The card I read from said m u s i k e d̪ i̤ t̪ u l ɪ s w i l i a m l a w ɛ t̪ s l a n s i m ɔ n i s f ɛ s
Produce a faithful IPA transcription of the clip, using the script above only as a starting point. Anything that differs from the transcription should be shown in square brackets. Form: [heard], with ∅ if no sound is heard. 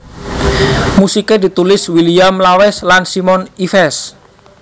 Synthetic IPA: m u s i k e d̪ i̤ t̪ u l ɪ s w i l i a m l a w ɛ [∅] s l a n s i m ɔ n i [∅] f ɛ s